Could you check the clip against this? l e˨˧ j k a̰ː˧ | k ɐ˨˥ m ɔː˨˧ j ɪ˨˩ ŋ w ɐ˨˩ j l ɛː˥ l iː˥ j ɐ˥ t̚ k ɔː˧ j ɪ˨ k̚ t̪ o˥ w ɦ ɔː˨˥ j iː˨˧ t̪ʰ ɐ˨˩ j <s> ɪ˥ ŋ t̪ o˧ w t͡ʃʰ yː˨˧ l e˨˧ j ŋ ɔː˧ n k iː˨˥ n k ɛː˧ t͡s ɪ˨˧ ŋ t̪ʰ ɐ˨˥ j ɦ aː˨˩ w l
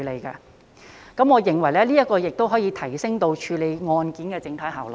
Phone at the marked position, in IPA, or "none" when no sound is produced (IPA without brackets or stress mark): s